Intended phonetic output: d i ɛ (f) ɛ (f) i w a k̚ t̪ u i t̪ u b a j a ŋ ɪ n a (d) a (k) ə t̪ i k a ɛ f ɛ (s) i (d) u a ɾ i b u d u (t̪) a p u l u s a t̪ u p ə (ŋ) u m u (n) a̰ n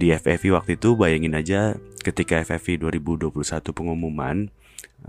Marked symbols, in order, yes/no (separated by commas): yes, yes, no, yes, no, yes, no, yes, no